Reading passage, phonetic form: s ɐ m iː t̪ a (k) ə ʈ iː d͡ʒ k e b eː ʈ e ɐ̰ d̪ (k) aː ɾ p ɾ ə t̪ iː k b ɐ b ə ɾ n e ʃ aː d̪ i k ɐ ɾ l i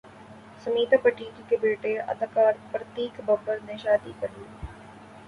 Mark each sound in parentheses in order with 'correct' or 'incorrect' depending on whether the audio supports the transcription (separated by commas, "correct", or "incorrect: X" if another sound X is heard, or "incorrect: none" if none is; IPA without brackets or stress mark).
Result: incorrect: p, correct